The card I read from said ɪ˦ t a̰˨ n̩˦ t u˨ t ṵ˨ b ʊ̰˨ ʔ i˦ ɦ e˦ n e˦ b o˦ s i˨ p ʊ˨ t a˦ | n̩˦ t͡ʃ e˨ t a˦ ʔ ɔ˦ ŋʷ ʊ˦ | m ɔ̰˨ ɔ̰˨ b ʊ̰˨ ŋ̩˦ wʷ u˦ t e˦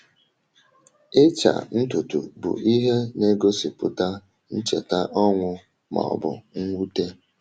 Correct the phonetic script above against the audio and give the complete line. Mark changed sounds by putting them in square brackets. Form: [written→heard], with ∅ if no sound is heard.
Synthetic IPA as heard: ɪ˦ [t→t͡ʃ] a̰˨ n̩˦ t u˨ t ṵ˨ b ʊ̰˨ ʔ i˦ ɦ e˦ n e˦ [b→ɡ] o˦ s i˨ p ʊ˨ t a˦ | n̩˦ t͡ʃ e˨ t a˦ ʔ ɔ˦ ŋʷ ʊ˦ | m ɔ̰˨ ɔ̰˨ b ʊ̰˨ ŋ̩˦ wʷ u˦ t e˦